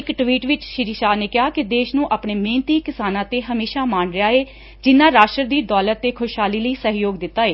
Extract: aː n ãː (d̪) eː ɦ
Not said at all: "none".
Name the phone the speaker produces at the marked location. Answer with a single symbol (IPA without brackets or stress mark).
t̪